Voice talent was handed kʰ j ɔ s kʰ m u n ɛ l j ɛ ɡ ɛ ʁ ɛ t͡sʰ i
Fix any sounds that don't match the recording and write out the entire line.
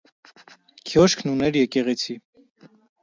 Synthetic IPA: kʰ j ɔ ʃ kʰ n u n ɛ ɾ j ɛ k ɛ ʁ ɛ t͡sʰ i